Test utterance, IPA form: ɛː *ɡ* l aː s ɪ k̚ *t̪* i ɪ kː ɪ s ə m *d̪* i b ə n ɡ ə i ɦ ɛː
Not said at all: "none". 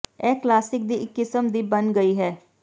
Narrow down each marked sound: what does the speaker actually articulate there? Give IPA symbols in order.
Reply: k, d̪, d̪

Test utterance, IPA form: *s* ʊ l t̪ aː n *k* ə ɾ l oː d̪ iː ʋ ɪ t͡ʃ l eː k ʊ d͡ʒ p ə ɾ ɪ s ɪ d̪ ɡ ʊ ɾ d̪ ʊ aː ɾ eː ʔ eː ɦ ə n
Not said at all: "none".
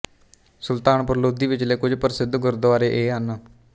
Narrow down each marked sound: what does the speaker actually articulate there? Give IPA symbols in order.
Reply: s, p

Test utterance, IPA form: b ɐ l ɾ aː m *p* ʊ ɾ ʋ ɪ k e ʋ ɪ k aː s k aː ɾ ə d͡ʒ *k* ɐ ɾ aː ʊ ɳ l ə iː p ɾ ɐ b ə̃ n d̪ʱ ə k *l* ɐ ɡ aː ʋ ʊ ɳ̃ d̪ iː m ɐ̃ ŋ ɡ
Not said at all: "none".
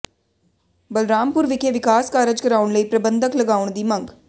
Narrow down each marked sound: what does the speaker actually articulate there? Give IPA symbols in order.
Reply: p, k, l

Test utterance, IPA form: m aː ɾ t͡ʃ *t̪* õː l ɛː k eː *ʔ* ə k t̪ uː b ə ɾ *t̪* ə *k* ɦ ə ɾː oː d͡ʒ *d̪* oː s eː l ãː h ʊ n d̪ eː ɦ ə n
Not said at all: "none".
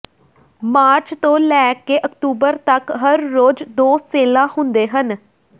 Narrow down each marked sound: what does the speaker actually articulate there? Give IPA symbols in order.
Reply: t̪, ʔ, t̪, k, d̪

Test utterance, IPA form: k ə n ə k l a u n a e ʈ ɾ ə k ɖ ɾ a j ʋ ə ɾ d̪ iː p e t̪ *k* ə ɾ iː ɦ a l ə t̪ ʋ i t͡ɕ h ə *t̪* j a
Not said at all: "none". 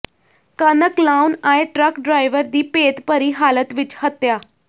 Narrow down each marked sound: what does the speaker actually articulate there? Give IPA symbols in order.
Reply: p, t̪

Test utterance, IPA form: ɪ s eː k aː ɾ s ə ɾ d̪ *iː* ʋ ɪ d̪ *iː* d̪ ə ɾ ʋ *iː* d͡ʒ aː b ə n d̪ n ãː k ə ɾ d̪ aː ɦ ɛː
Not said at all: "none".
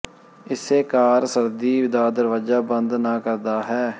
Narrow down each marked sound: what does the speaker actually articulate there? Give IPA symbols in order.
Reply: iː, aː, aː

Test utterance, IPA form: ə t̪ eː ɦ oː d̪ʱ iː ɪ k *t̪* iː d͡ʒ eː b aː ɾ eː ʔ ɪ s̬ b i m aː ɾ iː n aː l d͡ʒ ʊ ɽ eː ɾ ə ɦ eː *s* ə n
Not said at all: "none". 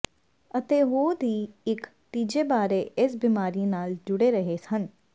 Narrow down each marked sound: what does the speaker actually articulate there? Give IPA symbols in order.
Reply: t̪, s

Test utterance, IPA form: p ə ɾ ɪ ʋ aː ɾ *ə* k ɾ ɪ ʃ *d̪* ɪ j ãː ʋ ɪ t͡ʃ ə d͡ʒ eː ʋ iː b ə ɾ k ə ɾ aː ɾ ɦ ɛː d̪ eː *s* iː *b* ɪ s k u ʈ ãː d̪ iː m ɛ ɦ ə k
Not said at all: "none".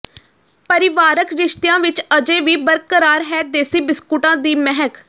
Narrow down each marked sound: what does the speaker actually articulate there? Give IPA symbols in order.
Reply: ə, t̪, s, b

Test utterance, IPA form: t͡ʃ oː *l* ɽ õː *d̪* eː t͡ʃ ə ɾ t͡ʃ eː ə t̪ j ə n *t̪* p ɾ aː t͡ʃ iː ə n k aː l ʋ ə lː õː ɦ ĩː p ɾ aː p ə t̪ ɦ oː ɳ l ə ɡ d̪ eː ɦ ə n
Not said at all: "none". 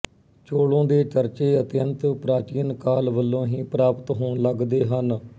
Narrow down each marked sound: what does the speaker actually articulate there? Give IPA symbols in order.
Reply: none, d̪, t̪

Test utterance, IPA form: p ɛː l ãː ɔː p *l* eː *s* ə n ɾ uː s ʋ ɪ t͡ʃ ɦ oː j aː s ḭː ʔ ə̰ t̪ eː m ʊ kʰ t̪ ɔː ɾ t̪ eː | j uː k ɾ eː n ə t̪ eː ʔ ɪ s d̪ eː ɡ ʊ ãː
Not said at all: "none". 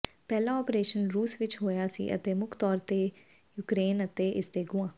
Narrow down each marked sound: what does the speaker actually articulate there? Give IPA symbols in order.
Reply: ɾ, ʃ

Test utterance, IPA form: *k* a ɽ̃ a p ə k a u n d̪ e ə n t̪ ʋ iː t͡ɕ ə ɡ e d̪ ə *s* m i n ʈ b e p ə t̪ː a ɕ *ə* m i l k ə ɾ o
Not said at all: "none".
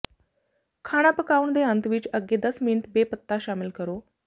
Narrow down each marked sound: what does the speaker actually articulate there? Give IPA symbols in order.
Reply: kʰ, s, a

